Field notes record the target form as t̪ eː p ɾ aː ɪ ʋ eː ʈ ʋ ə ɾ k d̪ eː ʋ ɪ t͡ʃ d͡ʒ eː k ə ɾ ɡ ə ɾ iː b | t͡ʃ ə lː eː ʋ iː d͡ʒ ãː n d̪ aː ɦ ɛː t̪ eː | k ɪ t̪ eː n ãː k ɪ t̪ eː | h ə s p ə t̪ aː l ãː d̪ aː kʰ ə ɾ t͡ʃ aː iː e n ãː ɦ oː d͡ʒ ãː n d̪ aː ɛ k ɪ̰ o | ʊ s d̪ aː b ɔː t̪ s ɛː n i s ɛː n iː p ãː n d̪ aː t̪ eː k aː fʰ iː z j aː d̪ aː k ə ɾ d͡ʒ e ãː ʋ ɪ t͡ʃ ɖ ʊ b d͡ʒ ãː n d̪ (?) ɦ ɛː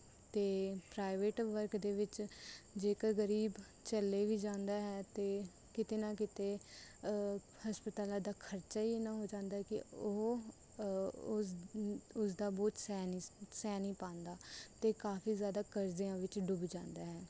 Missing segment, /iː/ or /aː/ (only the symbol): aː